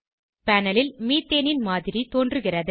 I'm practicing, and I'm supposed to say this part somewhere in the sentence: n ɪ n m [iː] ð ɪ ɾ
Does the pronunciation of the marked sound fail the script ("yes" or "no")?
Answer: yes